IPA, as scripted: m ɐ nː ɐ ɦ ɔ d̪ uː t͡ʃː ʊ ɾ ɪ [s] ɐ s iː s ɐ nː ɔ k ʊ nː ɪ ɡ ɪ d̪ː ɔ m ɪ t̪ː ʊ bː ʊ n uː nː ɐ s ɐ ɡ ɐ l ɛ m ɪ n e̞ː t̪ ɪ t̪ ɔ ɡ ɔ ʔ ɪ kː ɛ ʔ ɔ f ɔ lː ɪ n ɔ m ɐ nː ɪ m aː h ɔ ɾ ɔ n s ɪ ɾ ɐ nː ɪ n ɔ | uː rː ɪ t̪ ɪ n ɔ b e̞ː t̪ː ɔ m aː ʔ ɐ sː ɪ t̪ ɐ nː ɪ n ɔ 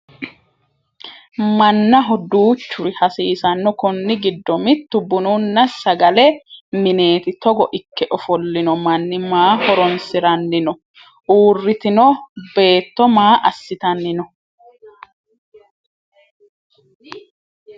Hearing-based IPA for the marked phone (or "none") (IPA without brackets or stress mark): h